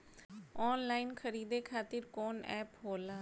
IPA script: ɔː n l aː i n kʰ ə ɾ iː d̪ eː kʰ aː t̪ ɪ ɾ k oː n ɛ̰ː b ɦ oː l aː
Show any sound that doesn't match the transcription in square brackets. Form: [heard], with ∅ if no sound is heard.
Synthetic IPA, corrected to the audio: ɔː n l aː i n kʰ ə ɾ iː d̪ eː kʰ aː t̪ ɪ ɾ k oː n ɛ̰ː [p] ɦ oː l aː